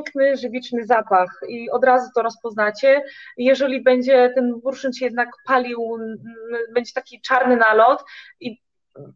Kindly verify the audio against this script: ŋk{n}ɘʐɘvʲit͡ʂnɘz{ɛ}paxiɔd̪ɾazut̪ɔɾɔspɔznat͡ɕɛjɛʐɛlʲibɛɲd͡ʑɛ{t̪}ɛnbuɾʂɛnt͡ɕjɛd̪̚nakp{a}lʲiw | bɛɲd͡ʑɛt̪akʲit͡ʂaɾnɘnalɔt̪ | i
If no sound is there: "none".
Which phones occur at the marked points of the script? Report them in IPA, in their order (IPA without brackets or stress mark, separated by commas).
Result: n, a, t̪, a